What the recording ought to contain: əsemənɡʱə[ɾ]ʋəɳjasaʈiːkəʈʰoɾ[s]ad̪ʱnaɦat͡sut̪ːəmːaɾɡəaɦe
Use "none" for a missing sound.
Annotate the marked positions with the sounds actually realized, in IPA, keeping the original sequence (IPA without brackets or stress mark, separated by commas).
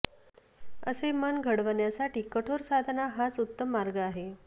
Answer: ɽ, s